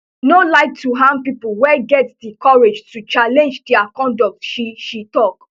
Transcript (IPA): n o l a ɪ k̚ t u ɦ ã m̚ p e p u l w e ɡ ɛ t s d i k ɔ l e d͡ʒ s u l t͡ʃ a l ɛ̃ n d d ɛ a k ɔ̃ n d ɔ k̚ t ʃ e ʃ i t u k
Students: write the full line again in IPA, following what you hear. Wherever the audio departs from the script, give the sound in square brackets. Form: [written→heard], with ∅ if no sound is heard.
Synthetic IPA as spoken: n o l a ɪ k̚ t u ɦ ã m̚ p [e→i] p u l w [e→ɛ] ɡ ɛ t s d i k ɔ [l→ɹ] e d͡ʒ [s→t] u [l→∅] t͡ʃ a l ɛ̃ n [d→d͡ʒ] d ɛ a k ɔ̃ n d ɔ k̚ t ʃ [e→i] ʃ i t [u→ɔ] k